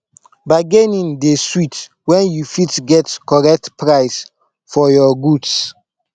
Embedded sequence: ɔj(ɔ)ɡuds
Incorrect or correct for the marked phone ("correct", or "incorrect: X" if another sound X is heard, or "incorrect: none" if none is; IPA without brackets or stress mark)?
correct